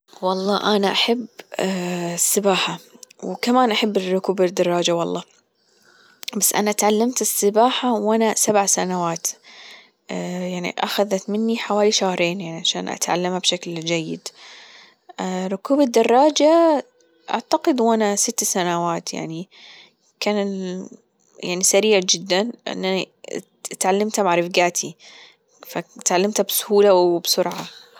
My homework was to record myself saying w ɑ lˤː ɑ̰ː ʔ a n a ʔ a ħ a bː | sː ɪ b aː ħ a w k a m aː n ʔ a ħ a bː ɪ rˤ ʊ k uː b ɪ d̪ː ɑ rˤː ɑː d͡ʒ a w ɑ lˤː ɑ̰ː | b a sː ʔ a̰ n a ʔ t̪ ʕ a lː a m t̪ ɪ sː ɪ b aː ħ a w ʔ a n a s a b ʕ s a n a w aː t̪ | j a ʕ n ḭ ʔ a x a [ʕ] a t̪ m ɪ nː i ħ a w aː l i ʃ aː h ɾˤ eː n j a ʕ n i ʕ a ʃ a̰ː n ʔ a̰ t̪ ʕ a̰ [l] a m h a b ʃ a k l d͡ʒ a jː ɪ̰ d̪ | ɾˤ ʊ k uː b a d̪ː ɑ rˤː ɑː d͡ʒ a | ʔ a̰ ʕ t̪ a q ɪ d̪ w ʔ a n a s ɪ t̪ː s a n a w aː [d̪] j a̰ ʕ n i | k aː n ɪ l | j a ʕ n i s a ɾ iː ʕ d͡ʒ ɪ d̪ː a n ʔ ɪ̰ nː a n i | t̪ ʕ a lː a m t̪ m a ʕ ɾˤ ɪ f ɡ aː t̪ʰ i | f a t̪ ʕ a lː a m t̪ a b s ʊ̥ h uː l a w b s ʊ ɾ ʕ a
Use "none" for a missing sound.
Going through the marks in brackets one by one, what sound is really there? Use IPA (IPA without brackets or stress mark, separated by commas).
ð, lː, t̪